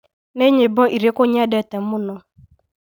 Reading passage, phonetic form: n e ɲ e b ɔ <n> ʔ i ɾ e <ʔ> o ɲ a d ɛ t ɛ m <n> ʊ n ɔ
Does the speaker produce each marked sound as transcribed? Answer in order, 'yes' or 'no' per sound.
no, no, no

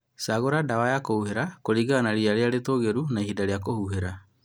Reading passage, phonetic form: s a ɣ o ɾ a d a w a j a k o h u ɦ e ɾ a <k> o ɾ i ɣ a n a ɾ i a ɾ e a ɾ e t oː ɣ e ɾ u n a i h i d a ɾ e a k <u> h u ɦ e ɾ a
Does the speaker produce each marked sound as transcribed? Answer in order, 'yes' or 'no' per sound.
yes, no

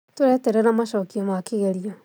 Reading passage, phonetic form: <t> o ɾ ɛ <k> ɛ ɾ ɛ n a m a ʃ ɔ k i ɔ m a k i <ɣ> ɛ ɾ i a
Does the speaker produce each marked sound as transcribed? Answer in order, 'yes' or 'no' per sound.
yes, no, yes

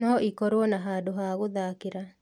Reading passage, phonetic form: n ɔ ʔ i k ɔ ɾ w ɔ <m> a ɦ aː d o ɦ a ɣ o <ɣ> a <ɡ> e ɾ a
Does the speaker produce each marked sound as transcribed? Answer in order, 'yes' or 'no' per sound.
no, no, no

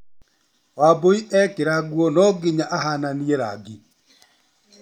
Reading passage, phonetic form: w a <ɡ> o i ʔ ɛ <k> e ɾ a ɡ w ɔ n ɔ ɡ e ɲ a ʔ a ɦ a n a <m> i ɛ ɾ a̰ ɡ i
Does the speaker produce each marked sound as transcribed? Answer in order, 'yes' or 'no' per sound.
no, yes, no

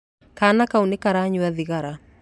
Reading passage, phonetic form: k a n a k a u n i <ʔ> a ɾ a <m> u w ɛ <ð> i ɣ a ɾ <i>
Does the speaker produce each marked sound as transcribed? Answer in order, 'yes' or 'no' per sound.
no, no, yes, no

